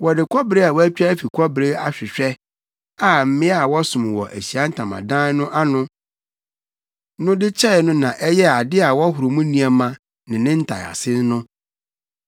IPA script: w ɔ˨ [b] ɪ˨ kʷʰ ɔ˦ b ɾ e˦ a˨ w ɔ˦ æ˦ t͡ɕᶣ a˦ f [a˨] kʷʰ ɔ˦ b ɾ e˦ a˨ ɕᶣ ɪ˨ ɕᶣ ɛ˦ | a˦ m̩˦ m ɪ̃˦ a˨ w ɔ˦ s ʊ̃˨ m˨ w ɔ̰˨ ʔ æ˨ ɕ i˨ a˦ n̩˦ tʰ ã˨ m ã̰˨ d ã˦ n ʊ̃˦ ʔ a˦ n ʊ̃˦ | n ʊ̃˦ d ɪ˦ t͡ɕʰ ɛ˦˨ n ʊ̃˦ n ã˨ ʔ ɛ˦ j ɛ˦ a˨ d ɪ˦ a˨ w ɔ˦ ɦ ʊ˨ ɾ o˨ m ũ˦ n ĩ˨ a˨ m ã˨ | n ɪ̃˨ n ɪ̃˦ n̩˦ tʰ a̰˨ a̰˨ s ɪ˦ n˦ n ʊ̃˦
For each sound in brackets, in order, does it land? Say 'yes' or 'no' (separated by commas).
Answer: no, no